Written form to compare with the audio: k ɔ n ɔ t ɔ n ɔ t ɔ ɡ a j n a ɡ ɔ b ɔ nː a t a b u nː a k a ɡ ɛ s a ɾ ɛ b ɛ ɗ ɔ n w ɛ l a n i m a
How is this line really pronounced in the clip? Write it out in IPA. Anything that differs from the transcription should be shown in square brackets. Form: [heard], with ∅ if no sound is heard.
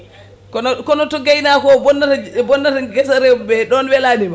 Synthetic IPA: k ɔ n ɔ [k] ɔ n ɔ t ɔ ɡ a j n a [k] ɔ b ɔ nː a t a b [ɔ] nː a [t] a ɡ ɛ s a ɾ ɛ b ɛ ɗ ɔ n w ɛ l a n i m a